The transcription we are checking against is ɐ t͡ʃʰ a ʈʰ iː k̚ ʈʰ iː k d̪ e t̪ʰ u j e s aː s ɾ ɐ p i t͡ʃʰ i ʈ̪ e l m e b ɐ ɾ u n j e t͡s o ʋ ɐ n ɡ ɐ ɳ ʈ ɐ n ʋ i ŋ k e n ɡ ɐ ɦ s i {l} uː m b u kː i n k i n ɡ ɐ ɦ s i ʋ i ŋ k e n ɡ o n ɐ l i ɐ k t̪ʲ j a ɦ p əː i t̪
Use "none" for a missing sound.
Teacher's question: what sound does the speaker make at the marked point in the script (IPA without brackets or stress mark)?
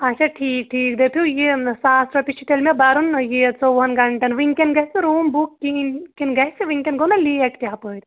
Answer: ɾ